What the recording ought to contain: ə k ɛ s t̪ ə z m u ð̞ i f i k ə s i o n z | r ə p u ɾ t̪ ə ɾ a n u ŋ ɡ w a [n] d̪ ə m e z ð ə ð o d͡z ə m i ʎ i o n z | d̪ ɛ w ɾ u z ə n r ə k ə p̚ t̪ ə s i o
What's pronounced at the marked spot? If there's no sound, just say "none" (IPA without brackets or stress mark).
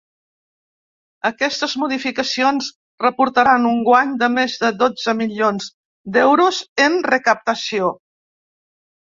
ɲ